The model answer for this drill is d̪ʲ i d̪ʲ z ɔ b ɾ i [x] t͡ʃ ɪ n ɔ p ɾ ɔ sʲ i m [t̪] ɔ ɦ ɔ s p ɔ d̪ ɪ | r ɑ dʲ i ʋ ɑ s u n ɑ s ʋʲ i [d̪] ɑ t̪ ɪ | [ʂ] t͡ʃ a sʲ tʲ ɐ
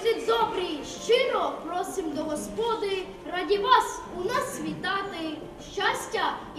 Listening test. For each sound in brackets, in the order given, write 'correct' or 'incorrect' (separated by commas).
incorrect, incorrect, incorrect, incorrect